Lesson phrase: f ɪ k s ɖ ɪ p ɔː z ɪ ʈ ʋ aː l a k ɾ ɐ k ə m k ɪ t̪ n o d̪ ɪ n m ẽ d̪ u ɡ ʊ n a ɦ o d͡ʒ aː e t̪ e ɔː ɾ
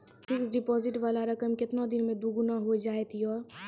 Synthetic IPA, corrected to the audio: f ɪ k s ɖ ɪ p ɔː z ɪ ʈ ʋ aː l a ɾ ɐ k ə m k ɪ t̪ n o d̪ ɪ n m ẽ d̪ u ɡ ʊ n a ɦ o d͡ʒ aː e t̪ i ɔː ɾ